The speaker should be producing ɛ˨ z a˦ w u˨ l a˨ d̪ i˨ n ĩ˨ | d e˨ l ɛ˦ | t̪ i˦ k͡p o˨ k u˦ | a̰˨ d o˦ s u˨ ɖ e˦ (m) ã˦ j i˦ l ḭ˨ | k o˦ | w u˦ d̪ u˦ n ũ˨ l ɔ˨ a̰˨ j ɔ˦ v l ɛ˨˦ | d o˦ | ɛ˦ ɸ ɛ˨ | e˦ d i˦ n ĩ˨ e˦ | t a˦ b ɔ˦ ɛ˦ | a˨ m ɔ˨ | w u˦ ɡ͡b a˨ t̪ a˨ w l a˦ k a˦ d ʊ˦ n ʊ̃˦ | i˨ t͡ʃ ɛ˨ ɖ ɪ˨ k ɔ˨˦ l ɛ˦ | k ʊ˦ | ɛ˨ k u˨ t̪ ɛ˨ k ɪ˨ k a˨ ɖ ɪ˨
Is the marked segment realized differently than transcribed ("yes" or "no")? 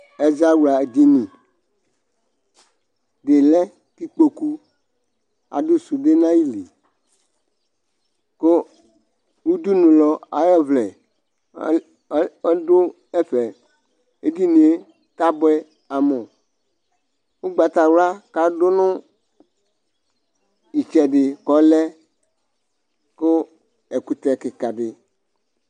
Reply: yes